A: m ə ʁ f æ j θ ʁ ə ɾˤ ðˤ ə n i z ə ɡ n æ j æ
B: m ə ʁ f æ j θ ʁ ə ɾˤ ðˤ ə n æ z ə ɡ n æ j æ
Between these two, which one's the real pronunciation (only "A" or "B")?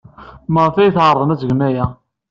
B